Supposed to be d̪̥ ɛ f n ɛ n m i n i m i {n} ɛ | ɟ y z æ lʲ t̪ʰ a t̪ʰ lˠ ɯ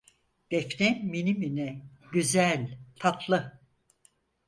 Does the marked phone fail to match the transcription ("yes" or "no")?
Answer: no